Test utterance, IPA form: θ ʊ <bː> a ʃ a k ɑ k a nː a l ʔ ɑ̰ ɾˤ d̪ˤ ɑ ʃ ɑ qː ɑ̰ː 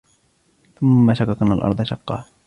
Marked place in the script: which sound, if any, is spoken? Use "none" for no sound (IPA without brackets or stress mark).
mː